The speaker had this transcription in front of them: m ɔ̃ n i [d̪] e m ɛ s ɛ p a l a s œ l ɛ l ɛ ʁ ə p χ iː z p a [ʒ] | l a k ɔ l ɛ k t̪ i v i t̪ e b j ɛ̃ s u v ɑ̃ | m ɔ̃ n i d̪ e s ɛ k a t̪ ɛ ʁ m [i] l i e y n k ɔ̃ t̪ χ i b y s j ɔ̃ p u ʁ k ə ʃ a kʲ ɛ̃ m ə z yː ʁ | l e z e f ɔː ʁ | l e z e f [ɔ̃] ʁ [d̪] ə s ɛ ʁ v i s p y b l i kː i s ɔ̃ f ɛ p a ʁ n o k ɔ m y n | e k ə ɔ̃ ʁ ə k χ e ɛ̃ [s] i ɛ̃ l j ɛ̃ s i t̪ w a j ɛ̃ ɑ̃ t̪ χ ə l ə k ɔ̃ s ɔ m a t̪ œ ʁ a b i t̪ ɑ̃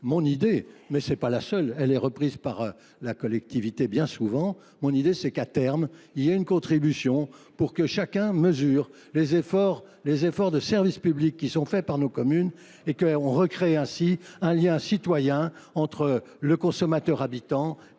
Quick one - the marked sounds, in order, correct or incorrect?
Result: correct, incorrect: ʁ, correct, incorrect: ɔ, correct, correct

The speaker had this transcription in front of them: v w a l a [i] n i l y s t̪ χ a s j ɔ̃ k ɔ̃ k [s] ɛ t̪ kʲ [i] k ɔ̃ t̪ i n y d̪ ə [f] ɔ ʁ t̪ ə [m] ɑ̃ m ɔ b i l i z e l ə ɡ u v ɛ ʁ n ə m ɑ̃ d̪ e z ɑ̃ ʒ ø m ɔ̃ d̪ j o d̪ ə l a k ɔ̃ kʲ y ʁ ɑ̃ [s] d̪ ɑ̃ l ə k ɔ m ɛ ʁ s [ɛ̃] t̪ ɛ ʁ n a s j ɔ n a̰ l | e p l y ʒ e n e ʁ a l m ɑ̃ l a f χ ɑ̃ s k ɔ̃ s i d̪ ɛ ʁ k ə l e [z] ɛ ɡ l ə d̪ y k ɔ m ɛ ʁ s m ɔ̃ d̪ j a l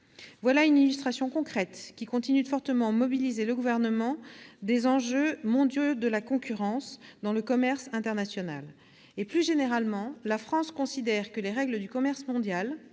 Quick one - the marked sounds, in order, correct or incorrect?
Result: incorrect: y, incorrect: χ, correct, correct, correct, correct, correct, incorrect: ʁ

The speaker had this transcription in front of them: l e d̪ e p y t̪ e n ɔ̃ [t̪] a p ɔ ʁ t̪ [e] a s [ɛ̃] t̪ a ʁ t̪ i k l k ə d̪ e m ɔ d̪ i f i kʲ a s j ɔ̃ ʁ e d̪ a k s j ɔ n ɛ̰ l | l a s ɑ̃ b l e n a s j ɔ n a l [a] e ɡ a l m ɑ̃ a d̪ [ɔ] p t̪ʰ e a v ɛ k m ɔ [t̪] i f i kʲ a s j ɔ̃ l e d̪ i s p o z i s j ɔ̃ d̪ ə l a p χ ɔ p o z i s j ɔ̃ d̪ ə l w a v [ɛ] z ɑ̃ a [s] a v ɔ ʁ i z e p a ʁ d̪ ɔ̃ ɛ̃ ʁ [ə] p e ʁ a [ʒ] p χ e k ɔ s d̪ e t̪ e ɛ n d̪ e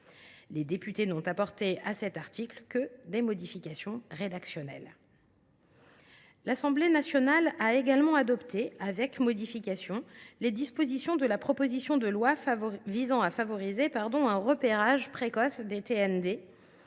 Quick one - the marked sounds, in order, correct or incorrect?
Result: correct, correct, incorrect: ɛ, correct, correct, incorrect: d̪, incorrect: i, incorrect: f, correct, correct

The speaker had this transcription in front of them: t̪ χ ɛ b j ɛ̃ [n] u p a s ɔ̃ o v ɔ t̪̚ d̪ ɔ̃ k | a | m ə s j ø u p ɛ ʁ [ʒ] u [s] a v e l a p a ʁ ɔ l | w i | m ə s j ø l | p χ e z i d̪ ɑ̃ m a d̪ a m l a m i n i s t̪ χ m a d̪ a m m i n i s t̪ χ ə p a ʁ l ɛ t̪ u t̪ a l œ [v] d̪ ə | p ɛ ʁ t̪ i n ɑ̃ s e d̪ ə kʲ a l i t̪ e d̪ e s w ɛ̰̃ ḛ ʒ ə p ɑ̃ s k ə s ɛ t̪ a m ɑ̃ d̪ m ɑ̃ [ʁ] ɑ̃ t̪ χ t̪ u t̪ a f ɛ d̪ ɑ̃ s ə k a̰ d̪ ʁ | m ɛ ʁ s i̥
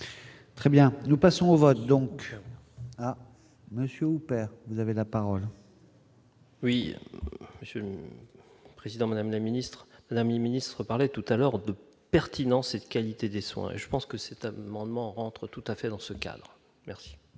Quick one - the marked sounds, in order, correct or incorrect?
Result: correct, incorrect: v, incorrect: z, incorrect: ʁ, correct

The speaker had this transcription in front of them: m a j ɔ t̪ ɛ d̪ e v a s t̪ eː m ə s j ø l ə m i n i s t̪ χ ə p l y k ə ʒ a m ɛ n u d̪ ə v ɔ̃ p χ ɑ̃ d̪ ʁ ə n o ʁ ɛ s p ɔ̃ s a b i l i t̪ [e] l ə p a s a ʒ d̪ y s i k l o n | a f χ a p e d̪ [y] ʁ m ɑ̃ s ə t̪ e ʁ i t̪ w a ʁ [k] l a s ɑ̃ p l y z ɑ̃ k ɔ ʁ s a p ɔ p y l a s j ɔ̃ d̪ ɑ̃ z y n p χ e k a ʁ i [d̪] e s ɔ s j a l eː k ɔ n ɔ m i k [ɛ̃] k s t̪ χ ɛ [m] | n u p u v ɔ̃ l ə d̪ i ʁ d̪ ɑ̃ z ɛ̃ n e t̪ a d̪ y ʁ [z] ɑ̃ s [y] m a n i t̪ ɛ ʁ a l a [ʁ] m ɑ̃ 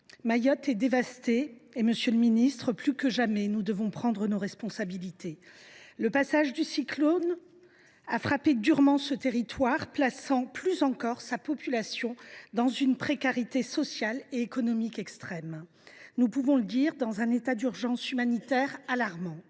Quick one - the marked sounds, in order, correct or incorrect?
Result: correct, correct, incorrect: p, incorrect: t̪, incorrect: ɛ, correct, incorrect: ʒ, correct, correct

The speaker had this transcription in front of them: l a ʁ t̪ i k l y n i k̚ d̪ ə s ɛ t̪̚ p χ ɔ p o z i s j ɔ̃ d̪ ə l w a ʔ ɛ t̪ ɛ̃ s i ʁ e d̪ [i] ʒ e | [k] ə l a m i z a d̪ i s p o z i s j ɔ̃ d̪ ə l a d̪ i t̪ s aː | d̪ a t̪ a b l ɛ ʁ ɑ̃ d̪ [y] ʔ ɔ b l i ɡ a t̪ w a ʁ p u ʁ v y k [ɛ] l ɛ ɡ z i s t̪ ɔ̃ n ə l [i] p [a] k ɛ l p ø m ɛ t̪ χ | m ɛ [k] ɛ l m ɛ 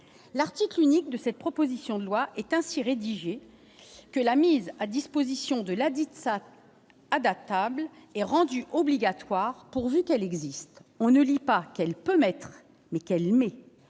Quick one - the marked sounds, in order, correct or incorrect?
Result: correct, correct, correct, correct, correct, correct, correct

